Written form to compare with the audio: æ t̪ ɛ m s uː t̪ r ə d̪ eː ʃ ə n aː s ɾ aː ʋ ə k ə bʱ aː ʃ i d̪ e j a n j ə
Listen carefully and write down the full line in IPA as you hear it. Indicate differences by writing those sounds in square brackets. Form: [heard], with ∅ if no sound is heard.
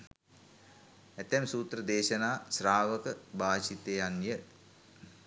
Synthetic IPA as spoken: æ t̪ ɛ m s uː t̪ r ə d̪ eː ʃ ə n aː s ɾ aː ʋ ə k ə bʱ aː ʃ i [t̪] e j a n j ə